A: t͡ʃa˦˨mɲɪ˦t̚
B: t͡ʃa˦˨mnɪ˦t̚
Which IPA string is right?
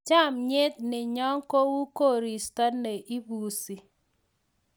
A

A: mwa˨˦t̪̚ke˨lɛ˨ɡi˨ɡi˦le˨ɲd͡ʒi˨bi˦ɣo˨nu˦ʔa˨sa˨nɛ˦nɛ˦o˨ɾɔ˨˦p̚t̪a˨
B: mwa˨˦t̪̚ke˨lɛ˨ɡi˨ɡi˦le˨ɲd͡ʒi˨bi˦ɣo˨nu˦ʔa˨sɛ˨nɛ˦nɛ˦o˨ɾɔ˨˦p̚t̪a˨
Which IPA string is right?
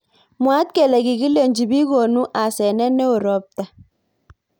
B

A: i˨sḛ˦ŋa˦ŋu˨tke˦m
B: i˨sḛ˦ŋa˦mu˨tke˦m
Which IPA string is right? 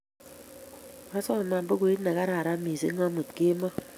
B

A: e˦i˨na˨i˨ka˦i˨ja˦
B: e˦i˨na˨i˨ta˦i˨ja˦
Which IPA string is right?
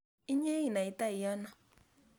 B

